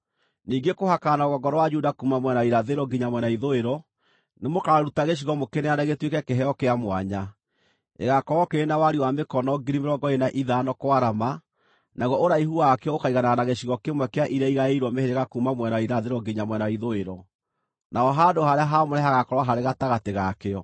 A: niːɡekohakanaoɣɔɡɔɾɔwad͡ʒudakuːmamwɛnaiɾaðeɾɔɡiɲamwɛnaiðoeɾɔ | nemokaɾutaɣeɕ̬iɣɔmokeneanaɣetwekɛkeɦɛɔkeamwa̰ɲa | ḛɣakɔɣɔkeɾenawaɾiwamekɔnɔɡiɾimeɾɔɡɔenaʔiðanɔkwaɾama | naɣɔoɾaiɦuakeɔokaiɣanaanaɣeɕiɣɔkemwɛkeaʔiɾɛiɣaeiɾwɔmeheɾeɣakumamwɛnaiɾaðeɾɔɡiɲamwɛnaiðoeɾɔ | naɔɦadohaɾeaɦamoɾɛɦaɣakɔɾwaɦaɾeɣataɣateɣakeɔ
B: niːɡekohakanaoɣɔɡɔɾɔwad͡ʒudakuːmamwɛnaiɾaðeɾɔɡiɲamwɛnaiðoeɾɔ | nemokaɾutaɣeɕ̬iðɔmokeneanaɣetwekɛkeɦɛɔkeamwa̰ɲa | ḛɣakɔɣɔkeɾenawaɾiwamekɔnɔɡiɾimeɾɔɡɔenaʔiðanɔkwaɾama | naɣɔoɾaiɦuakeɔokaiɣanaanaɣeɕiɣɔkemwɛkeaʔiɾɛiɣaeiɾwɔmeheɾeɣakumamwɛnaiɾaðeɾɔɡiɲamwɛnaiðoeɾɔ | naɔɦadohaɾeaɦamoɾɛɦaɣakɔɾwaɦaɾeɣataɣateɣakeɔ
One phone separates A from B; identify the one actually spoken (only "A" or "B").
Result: A